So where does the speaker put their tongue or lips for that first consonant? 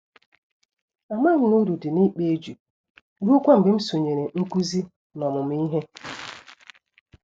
lips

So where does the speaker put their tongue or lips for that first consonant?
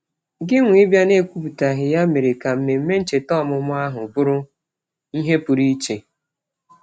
velum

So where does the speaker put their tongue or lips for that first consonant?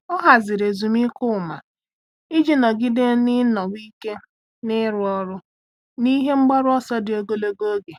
throat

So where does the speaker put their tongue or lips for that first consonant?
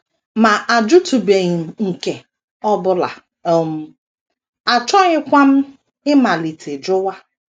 lips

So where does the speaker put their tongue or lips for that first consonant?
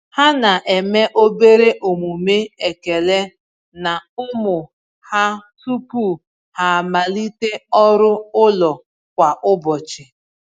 throat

